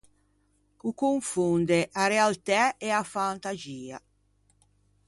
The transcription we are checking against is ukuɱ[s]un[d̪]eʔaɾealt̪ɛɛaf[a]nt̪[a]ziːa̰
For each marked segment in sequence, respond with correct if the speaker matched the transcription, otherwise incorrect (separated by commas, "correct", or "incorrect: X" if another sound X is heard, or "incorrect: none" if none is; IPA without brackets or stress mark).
incorrect: f, correct, correct, correct